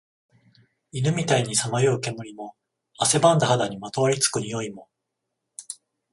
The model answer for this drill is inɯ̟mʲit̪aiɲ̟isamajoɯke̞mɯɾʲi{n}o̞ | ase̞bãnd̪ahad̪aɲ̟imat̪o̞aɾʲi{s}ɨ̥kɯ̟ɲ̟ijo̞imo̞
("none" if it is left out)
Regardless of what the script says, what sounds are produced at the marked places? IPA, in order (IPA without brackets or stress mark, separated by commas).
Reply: m, t͡s